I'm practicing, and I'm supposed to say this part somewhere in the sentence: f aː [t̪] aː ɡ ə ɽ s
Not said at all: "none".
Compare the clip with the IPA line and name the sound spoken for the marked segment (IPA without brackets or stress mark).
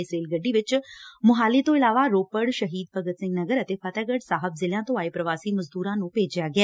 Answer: t̪